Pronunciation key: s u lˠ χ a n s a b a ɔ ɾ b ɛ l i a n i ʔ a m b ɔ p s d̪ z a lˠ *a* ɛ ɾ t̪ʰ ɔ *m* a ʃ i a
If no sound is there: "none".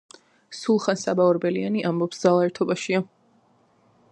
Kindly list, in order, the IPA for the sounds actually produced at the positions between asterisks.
a, b

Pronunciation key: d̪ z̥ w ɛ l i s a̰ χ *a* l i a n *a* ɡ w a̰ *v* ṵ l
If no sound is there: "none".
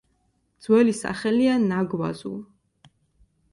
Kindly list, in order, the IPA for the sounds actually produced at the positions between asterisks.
ɛ, a, z

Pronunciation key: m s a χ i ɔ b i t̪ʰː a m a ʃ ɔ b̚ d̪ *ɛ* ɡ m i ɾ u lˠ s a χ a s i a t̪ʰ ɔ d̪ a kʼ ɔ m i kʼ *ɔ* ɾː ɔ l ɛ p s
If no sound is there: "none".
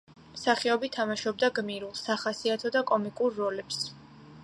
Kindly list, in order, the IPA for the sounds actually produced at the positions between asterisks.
a, u

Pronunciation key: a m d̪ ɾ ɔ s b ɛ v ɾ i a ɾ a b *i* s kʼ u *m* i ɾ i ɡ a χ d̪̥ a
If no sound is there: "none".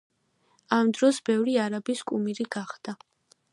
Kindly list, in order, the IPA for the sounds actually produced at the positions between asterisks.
i, m

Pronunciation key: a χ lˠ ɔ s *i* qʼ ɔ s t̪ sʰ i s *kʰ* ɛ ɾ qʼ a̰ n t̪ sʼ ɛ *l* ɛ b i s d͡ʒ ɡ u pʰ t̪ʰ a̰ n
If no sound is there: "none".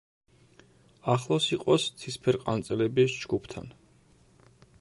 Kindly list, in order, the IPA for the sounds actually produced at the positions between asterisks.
i, pʰ, l

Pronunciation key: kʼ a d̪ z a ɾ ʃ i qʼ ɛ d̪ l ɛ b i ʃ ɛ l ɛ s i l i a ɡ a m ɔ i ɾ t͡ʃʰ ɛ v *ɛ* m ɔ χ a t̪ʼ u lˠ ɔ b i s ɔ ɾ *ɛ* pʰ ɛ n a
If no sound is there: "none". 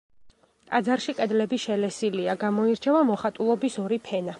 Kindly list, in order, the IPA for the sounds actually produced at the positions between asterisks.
a, i

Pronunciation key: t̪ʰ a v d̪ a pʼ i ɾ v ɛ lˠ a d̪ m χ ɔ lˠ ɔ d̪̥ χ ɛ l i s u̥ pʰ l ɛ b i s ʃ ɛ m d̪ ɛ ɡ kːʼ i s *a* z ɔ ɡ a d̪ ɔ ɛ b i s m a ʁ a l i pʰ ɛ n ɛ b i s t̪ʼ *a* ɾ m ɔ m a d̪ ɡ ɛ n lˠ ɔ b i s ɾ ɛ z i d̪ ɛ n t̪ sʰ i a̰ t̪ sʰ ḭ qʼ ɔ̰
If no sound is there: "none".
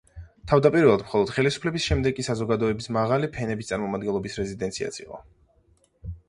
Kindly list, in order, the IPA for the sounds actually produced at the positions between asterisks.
a, a

